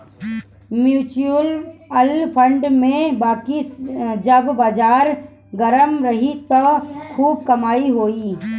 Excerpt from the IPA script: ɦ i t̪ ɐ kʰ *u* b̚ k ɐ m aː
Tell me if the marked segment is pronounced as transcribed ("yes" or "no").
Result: no